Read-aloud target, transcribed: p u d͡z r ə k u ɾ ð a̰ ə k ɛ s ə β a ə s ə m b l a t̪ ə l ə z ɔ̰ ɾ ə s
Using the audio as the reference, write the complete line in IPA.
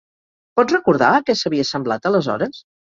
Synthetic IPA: p ɔ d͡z r ə k u ɾ ð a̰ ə k ɛ s ə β i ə s ə m b l a t̪ ə l ə z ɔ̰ ɾ ə s